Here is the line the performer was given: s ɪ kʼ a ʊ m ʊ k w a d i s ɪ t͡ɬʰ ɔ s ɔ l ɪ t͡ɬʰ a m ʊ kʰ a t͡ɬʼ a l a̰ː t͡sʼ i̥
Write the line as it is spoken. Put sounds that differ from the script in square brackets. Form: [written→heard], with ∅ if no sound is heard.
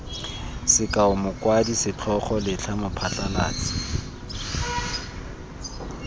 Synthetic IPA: s ɪ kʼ a ʊ m ʊ k w a d i s ɪ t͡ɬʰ ɔ [s→χ] ɔ l ɪ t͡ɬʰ a m ʊ [kʰ→pʰ] a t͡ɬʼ a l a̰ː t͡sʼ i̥

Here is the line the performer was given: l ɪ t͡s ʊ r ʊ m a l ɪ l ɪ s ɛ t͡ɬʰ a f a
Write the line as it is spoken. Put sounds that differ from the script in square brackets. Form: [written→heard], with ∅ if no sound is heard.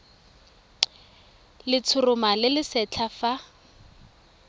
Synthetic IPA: l ɪ [t͡s→t͡sʰ] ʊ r ʊ m a l ɪ l ɪ s ɛ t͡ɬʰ a f a

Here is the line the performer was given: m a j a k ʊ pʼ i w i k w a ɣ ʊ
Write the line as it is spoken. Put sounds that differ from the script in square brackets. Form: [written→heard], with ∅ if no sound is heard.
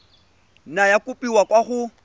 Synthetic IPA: [m→n] a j a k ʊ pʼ i w [i→a] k w a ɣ ʊ

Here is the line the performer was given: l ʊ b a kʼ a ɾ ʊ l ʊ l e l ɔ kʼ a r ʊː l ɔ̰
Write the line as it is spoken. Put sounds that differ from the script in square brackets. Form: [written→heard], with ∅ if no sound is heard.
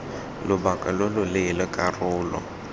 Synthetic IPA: l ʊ b a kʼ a [ɾ→l] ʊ l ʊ l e l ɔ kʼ a r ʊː l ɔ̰

